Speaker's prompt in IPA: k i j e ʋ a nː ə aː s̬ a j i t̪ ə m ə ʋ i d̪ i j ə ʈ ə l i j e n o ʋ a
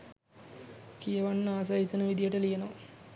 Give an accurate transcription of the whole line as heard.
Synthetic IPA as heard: k i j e ʋ a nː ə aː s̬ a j i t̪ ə n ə ʋ i d̪ i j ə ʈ ə l i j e n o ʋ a